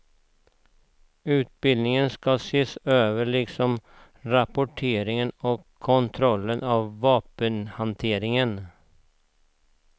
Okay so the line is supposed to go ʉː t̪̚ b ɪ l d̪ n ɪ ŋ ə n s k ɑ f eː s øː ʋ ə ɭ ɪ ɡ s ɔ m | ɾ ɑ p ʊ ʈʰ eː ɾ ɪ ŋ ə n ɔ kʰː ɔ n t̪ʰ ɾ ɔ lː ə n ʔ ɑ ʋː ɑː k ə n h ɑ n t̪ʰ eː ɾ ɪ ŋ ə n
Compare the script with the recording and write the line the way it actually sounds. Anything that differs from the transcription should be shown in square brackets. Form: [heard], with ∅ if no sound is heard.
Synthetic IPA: ʉː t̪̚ b ɪ l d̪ n ɪ ŋ ə n s k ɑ [s] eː s øː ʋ ə ɭ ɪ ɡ s ɔ m | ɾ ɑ p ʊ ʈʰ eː ɾ ɪ ŋ ə n ɔ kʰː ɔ n t̪ʰ ɾ ɔ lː ə n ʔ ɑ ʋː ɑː [p] ə n h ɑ n t̪ʰ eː ɾ ɪ ŋ ə n